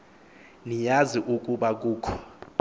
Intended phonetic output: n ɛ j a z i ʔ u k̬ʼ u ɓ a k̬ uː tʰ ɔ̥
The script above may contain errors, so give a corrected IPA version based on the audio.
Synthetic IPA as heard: n i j a z i ʔ u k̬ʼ u ɓ a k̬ uː kʰ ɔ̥